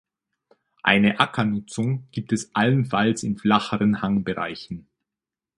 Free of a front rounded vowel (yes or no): yes